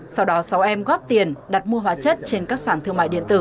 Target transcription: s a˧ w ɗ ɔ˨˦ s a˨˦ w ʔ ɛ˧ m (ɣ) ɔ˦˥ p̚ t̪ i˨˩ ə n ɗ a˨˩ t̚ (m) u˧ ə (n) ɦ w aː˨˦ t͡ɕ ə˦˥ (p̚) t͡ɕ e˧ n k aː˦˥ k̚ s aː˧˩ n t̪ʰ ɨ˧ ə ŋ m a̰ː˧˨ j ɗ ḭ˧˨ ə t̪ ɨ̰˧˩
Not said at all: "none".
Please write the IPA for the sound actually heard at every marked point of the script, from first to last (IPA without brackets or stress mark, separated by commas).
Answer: ɣ, m, none, t̚